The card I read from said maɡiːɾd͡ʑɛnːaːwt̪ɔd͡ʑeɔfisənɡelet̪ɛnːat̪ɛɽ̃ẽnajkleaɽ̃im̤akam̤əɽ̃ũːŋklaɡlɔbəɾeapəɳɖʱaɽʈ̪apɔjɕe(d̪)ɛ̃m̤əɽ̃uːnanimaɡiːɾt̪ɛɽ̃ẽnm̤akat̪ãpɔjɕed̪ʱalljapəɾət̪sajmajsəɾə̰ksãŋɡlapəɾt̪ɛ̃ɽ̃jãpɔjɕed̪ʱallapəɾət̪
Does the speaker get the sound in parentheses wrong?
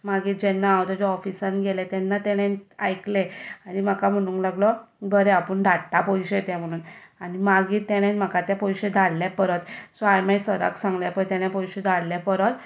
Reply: yes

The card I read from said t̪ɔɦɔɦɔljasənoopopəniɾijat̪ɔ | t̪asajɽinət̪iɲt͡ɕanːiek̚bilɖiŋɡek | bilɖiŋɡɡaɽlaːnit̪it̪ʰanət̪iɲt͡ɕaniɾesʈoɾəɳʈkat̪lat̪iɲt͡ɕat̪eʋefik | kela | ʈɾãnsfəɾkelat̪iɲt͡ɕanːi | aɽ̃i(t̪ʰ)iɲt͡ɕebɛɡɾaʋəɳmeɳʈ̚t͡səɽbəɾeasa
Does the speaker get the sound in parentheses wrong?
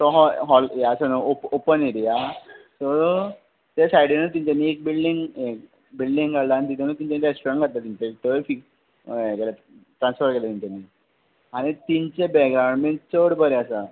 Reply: yes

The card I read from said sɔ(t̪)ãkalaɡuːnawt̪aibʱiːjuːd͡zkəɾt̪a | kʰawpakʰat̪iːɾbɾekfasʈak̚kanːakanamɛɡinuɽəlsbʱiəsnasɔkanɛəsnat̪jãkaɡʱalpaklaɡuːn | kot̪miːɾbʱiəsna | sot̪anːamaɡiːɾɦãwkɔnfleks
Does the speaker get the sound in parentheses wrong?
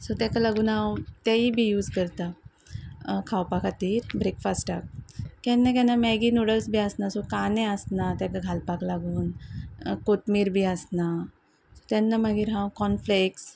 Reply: no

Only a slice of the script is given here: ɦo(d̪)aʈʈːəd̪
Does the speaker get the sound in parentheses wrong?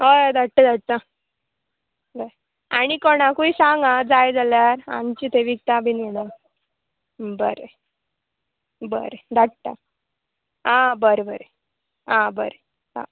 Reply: no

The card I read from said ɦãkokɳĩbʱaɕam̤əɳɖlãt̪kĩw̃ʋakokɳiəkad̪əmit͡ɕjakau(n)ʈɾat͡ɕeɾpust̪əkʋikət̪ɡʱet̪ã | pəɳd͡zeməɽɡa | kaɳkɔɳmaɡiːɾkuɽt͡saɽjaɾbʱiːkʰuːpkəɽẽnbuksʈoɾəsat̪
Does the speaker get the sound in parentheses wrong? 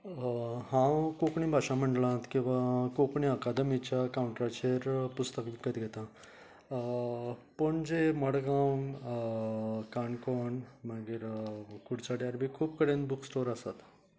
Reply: yes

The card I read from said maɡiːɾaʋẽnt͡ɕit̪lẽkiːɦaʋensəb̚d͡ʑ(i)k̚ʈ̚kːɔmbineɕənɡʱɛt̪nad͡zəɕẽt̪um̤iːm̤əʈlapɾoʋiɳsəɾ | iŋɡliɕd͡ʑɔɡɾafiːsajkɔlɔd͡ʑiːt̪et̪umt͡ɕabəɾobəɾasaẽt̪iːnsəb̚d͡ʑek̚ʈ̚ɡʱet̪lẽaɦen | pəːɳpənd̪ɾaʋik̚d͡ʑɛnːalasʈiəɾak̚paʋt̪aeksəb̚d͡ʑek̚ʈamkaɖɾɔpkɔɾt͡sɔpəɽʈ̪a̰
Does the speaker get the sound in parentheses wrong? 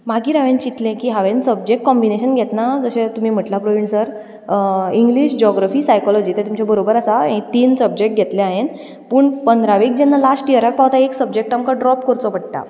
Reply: yes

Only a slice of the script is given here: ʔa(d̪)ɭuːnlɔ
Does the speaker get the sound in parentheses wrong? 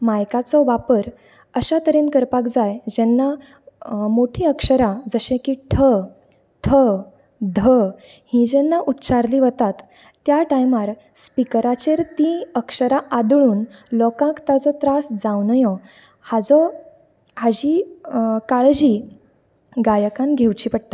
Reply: no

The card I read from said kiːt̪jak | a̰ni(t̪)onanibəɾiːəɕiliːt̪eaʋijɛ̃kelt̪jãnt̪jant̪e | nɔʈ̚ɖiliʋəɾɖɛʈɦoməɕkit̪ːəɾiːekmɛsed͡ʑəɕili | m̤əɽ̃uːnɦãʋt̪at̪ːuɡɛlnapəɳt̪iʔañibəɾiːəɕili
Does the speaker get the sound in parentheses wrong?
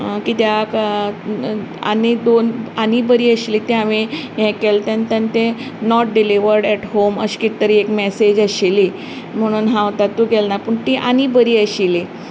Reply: yes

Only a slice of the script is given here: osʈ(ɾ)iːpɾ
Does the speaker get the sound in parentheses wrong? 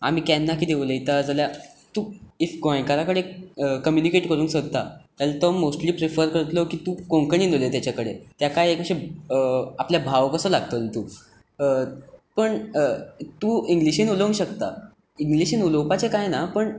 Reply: yes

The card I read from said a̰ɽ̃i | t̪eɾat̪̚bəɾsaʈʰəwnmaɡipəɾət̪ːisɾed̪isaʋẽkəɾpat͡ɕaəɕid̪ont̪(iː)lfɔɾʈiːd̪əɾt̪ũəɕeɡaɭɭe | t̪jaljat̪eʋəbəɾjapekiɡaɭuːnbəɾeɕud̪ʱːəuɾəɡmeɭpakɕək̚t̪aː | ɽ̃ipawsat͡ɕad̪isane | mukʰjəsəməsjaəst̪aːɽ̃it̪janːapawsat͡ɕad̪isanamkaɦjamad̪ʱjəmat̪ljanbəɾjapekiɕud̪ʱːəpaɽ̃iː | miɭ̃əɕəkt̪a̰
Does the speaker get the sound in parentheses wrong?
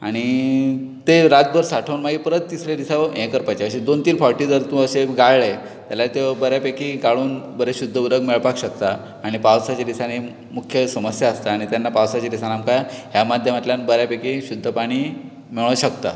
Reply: no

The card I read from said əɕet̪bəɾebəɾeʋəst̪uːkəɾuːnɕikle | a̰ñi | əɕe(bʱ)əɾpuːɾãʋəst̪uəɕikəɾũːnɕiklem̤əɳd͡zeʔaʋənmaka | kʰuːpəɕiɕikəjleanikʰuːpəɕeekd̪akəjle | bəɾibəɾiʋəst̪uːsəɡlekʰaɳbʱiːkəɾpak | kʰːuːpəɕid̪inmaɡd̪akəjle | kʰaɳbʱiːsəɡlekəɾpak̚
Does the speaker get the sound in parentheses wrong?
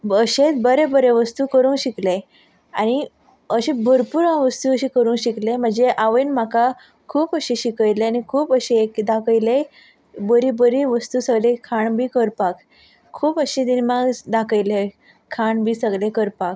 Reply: no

